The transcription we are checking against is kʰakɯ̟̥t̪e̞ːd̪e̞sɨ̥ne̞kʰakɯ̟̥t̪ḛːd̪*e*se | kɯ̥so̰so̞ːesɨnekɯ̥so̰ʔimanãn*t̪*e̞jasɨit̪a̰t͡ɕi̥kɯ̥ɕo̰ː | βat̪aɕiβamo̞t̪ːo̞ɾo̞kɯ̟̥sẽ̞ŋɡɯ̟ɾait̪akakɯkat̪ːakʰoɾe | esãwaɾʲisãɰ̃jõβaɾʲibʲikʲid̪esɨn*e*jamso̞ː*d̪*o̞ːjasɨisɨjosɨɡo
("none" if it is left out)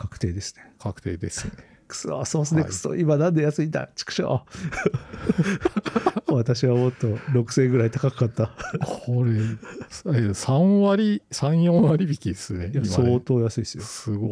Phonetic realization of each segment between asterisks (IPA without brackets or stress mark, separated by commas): e, d̪, e, t̪